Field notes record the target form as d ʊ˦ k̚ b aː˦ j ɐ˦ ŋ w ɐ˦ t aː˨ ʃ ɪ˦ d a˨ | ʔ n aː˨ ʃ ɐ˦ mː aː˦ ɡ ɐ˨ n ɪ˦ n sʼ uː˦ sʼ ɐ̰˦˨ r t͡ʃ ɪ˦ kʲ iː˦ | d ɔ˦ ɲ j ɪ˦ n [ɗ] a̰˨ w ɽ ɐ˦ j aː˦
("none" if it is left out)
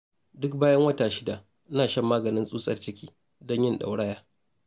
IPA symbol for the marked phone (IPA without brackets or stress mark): ɗ